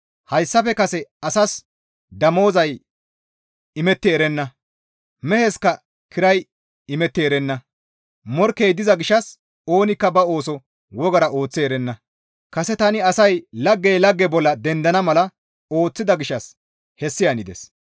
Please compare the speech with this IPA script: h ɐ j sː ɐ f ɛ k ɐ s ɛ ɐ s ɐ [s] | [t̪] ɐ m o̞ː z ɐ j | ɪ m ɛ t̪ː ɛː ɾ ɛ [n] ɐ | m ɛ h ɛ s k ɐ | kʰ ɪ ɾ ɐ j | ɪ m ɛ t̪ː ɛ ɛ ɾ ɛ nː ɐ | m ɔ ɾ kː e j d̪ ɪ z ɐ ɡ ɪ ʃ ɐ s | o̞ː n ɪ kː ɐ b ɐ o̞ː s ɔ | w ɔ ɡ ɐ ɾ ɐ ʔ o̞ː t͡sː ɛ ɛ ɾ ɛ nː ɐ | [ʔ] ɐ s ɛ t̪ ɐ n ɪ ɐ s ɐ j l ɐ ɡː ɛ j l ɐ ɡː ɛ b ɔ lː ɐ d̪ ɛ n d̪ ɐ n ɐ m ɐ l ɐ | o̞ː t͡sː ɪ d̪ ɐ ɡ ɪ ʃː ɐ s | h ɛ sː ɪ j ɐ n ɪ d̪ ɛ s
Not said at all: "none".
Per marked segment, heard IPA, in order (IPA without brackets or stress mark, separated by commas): s, d̪, nː, k